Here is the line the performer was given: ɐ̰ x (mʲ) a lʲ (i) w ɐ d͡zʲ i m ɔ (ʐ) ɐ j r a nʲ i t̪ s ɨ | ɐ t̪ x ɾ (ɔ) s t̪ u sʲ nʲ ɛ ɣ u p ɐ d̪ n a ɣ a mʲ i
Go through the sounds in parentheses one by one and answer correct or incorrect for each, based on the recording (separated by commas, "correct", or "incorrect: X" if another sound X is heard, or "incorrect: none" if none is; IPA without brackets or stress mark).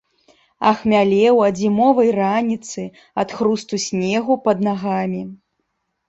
correct, incorrect: ɛ, incorrect: v, incorrect: u